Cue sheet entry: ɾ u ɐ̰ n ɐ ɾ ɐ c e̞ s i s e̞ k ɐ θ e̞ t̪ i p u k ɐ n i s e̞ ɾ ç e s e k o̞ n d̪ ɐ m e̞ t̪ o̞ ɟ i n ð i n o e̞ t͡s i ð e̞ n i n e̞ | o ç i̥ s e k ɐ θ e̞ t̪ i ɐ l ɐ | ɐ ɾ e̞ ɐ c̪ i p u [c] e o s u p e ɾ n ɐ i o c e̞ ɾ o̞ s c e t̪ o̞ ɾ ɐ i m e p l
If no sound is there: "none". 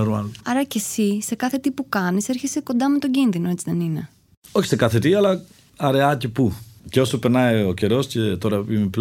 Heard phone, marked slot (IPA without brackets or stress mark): c